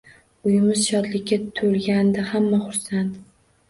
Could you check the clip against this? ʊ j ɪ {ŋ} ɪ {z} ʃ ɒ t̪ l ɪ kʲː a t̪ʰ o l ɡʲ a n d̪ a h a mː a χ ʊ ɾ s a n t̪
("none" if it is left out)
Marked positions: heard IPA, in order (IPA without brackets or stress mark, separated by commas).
m, z